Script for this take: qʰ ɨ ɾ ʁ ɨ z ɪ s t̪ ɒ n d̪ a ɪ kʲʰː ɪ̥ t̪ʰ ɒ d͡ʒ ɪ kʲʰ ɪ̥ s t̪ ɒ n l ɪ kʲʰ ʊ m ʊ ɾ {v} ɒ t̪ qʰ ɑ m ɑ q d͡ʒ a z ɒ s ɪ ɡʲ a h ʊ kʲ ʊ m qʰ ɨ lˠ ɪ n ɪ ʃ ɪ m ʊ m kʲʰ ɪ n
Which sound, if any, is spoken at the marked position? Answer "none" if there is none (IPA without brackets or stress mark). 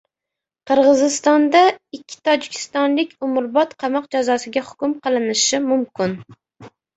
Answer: b